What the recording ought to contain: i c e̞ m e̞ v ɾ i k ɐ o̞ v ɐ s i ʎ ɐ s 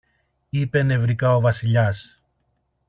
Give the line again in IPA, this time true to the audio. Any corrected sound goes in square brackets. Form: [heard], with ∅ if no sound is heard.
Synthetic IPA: i [p] e̞ [n] e̞ v ɾ i k ɐ o̞ v ɐ s i ʎ ɐ s